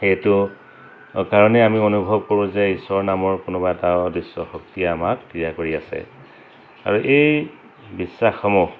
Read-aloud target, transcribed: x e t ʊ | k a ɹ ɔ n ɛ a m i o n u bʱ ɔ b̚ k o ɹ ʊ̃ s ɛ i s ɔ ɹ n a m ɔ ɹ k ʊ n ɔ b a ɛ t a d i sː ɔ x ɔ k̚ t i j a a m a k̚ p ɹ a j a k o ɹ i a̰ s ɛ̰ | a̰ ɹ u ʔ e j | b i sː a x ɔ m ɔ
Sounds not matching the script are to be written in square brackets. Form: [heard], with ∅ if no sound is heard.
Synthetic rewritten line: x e t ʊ | k a ɹ ɔ n ɛ a m i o n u bʱ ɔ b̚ k o ɹ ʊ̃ [z] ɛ i s ɔ ɹ n a m ɔ ɹ k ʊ n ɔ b a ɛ t a d i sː ɔ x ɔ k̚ t i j a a m a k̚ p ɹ [i] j a k o ɹ i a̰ s ɛ̰ | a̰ ɹ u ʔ e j | b i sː a x ɔ m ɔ

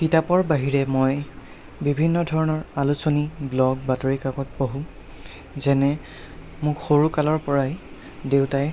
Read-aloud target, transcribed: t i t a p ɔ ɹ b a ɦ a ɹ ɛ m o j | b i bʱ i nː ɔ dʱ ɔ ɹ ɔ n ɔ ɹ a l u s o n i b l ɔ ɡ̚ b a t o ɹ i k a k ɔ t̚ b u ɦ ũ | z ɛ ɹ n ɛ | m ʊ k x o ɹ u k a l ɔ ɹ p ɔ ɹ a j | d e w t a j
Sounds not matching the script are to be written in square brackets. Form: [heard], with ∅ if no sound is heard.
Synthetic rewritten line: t i t a p ɔ ɹ b a ɦ [i] ɹ ɛ m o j | b i bʱ i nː ɔ dʱ ɔ ɹ ɔ n ɔ ɹ a l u s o n i b l ɔ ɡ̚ b a t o ɹ i k a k ɔ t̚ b [o] ɦ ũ | z ɛ [∅] n ɛ | m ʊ k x o ɹ u k a l ɔ ɹ p ɔ ɹ a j | d e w t a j

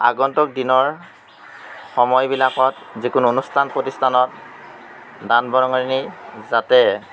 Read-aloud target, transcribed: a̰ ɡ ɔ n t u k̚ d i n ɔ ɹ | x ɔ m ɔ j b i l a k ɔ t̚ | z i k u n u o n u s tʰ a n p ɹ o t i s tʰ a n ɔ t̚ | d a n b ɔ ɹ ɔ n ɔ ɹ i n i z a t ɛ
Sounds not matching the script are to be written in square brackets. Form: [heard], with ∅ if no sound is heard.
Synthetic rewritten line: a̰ ɡ ɔ n t [ɔ] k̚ d i n ɔ ɹ | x ɔ m ɔ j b i l a k ɔ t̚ | z i k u n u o n u s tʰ a n p ɹ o t i s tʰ a n ɔ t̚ | d a n b ɔ ɹ ɔ [ŋ] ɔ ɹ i n i z a t ɛ

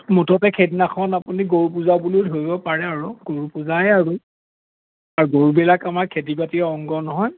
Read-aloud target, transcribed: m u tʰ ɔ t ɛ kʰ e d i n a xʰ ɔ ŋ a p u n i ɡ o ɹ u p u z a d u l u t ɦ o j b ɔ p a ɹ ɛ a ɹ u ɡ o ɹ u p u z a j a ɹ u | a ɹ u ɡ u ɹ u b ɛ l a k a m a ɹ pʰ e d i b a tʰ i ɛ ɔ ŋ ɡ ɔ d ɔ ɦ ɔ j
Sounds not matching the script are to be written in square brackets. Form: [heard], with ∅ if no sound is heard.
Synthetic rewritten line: m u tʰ ɔ t ɛ kʰ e d i n a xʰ ɔ [n] a p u n i ɡ o ɹ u p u z a [b] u l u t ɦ o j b ɔ p a ɹ ɛ a ɹ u ɡ o ɹ u p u z a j a ɹ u | a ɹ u ɡ [o] ɹ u b ɛ l a k a m a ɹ [kʰ] e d i b a [t] i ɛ ɔ ŋ ɡ ɔ [n] ɔ ɦ ɔ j

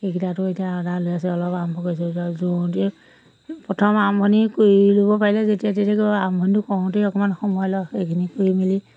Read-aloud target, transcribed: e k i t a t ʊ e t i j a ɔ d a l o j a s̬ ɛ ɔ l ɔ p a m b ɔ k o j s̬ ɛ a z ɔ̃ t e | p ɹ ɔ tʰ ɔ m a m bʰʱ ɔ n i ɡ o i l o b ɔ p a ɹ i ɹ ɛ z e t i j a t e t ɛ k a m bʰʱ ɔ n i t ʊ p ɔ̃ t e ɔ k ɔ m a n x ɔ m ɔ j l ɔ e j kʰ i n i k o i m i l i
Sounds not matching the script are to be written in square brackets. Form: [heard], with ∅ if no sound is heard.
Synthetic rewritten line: e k i t a t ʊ e t i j a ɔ d a l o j a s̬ ɛ ɔ l ɔ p a m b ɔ k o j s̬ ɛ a z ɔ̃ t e | p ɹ ɔ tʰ ɔ m a m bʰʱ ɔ n i [k] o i l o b ɔ p a ɹ i [l] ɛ z e t i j a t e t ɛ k a m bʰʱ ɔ n i t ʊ [k] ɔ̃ t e ɔ k ɔ m a n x ɔ m ɔ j l ɔ e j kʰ i n i k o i m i l i

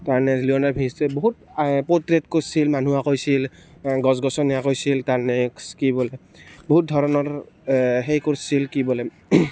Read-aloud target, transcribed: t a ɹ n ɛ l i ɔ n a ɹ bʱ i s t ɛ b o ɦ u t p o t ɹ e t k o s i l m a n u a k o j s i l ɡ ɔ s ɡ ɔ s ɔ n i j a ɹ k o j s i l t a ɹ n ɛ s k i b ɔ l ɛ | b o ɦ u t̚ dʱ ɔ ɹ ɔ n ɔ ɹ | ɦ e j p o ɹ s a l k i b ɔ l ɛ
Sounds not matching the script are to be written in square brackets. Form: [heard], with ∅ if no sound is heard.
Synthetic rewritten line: t a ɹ n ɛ l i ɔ n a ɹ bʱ i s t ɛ b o ɦ u t p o t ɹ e t k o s i l m a n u a k o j s i l ɡ ɔ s ɡ ɔ s ɔ n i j a [∅] k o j s i l t a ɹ n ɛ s k i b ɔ l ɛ | b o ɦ u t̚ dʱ ɔ ɹ ɔ n ɔ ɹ | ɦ e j [k] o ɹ s [i] l k i b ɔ l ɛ

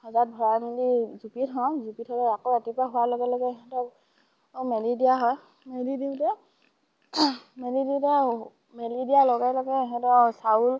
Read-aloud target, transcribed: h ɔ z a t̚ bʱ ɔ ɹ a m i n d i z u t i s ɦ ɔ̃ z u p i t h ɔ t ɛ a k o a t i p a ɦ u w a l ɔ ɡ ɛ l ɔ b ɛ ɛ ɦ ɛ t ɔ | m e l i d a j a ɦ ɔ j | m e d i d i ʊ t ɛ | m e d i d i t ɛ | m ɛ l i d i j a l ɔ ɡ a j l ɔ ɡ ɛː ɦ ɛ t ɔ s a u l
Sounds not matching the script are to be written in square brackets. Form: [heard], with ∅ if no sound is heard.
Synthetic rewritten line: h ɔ z a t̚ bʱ ɔ ɹ a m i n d i z u [p] i [t] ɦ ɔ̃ z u p i t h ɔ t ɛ a k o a t i p a ɦ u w a l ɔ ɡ ɛ l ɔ [ɡ] ɛ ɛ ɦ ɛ t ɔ | m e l i d [i] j a ɦ ɔ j | m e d i d i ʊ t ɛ | m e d i d i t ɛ | m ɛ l i d i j a l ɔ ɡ a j l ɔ ɡ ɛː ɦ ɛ t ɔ s a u l

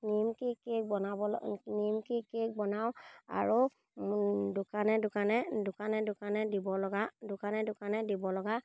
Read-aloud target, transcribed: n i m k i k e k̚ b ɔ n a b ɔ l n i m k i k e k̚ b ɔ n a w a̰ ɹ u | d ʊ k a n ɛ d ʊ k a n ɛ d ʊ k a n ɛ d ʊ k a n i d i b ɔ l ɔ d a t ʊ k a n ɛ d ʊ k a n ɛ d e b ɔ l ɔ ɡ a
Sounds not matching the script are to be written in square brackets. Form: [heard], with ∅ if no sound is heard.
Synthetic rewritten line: n i m k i k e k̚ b ɔ n a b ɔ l n i m k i k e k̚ b ɔ n a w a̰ ɹ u | d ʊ k a n ɛ d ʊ k a n ɛ d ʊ k a n ɛ d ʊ k a n [ɛ] d i b ɔ l ɔ [ɡ] a [d] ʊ k a n ɛ d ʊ k a n ɛ d [i] b ɔ l ɔ ɡ a

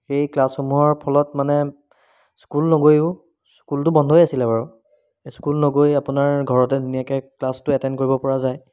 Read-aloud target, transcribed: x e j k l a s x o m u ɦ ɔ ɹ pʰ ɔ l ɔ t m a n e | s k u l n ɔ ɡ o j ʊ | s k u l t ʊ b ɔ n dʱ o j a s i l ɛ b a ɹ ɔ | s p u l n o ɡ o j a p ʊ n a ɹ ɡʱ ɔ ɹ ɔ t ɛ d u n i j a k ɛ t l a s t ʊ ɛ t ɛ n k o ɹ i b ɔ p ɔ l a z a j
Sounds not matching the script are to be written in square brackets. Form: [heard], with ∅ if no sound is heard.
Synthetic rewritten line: x e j k l a s x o m u ɦ ɔ ɹ pʰ ɔ l ɔ t m a n [ɛ] | s k u l n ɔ ɡ o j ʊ | s k u l t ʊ b ɔ n dʱ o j a s i l ɛ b a ɹ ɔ | s [k] u l n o ɡ o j a p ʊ n a ɹ ɡʱ ɔ ɹ ɔ t ɛ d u n i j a k ɛ [k] l a s t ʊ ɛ t ɛ n k o ɹ i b ɔ p ɔ [ɹ] a z a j

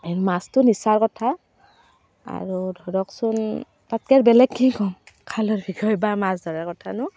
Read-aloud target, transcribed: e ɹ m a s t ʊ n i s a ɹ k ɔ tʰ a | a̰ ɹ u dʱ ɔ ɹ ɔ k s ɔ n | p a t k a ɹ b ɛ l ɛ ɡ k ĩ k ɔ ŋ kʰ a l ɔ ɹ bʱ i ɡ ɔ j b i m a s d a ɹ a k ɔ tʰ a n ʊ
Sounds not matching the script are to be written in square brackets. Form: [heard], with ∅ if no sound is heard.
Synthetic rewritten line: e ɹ m a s t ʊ n i s a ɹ k ɔ tʰ a | a̰ ɹ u dʱ ɔ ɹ ɔ k s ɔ n | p a t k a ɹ b ɛ l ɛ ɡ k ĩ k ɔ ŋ kʰ a l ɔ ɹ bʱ i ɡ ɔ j b [a] m a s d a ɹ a k ɔ tʰ a n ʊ

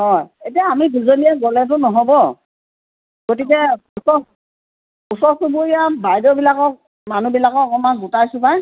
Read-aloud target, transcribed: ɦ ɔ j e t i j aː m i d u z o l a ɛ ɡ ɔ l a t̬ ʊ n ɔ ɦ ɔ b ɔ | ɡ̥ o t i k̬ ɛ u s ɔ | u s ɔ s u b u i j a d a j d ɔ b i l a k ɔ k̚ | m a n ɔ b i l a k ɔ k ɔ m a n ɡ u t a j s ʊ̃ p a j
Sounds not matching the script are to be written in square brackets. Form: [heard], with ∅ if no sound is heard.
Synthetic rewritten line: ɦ ɔ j e t i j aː m i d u z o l [i] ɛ ɡ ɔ l [ɛ] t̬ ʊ n ɔ ɦ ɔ b ɔ | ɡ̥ o t i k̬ ɛ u s ɔ | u s ɔ s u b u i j a [b] a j d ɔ b i l a k ɔ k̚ | m a n [u] b i l a k ɔ k ɔ m a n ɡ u t a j s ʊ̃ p a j

